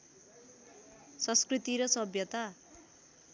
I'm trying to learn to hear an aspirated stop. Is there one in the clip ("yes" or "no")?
no